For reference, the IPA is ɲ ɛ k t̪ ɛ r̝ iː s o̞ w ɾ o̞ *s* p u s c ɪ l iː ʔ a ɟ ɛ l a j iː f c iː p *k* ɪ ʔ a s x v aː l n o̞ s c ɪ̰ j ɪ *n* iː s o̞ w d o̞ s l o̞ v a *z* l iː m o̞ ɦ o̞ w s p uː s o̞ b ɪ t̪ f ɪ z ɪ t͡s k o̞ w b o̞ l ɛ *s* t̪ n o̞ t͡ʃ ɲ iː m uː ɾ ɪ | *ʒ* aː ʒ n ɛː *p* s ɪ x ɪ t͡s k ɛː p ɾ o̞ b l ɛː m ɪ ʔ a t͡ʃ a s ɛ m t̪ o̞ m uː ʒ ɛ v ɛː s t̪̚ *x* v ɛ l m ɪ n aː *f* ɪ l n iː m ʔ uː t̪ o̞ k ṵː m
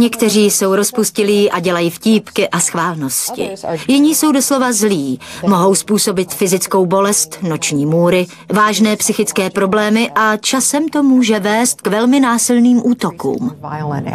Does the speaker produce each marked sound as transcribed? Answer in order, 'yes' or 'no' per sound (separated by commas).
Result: yes, yes, no, yes, yes, no, yes, no, no